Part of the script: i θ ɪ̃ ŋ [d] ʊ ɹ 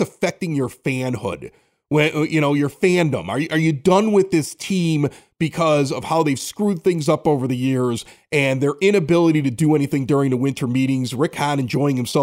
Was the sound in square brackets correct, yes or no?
yes